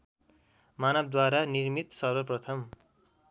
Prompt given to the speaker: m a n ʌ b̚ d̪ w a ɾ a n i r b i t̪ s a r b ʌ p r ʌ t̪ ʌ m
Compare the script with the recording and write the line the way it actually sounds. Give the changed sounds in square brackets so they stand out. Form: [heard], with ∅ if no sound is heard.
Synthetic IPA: m a n ʌ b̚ d̪ w a ɾ a n i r [m] i t̪ s [ʌ] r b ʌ p r ʌ [t̪ʰ] ʌ m